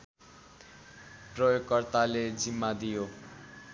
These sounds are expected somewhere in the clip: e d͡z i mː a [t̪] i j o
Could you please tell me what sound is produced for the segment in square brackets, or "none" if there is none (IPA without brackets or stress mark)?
d̪